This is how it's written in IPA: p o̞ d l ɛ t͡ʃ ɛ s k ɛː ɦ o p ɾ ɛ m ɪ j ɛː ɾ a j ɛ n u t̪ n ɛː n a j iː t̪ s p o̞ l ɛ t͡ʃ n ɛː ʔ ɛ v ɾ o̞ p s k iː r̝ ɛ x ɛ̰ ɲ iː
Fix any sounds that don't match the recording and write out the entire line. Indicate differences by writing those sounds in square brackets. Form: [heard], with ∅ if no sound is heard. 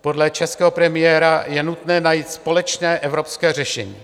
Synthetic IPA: p o̞ d l ɛ t͡ʃ ɛ s k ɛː ɦ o p ɾ ɛ m ɪ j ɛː ɾ a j ɛ n u t̪ n ɛː n a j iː t̪ s p o̞ l ɛ t͡ʃ n ɛː ʔ ɛ v ɾ o̞ p s k [ɛː] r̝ ɛ [ʃ] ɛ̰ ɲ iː